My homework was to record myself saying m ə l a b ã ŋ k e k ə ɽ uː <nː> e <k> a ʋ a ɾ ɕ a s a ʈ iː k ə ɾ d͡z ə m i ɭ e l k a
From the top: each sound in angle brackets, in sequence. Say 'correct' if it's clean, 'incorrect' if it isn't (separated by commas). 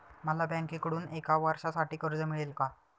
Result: incorrect, correct